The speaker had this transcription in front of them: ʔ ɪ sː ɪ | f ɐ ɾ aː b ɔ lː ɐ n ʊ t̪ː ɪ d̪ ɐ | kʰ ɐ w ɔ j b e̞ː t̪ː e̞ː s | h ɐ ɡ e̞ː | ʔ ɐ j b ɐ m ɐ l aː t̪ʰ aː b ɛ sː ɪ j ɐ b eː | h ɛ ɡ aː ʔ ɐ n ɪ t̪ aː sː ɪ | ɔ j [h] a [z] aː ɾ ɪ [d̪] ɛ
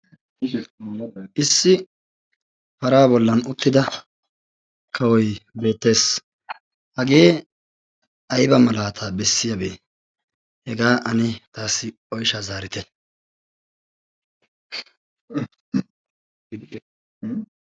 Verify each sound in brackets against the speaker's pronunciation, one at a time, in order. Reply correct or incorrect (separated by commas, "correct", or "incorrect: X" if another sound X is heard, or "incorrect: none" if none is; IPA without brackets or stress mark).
incorrect: ʃ, correct, incorrect: t̪